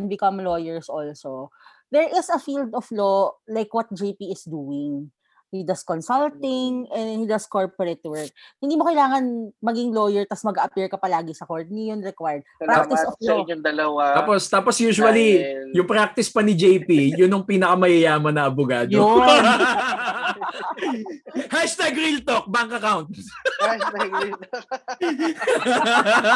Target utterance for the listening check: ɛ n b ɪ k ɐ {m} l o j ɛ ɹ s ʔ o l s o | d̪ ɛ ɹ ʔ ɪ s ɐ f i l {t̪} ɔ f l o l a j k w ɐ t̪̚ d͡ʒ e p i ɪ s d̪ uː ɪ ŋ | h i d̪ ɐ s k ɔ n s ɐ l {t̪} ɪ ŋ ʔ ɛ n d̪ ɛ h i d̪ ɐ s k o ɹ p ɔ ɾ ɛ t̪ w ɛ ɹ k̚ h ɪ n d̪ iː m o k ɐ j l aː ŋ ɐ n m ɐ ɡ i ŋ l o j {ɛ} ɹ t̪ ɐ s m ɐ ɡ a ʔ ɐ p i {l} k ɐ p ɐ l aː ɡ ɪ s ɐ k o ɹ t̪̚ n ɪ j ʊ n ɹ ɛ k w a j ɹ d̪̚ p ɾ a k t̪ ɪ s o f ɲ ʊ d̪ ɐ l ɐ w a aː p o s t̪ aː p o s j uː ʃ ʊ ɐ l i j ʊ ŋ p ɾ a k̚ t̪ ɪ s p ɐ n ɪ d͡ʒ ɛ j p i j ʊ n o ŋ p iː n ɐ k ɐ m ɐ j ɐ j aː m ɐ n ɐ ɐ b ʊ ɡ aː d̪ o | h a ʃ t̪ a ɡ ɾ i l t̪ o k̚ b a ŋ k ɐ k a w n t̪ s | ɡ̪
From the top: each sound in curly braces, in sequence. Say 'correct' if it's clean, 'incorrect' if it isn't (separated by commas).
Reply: correct, incorrect, correct, correct, incorrect